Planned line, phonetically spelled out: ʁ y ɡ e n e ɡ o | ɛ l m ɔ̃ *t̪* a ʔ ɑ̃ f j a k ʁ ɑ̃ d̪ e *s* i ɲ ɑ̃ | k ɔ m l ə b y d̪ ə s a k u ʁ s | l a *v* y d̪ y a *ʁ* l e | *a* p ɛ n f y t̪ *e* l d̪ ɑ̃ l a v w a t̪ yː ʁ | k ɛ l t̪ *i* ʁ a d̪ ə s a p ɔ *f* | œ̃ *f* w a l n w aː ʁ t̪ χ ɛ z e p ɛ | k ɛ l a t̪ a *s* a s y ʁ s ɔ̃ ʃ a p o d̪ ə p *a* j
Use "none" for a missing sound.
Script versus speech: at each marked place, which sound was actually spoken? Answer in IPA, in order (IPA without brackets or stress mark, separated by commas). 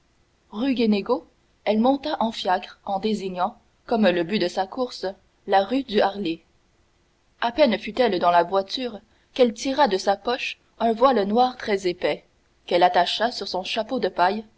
t̪, z, ʁ, ʁ, a, ɛ, i, ʃ, v, ʃ, a